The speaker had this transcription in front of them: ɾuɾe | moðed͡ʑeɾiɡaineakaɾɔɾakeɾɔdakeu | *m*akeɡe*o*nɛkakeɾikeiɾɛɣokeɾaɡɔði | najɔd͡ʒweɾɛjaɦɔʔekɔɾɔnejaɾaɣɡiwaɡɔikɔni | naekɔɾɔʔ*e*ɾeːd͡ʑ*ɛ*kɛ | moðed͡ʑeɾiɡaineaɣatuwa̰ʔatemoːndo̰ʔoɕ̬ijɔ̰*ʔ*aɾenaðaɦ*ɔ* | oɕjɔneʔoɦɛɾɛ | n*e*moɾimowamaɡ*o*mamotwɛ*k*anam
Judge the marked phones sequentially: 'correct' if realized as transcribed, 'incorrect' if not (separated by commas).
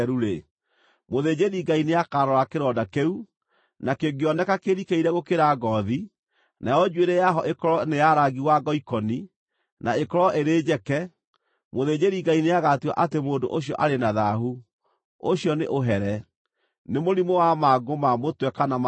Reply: incorrect, incorrect, correct, correct, correct, incorrect, correct, correct, correct